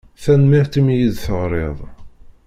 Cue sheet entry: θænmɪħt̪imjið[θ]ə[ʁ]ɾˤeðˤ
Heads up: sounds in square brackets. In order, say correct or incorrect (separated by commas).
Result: correct, correct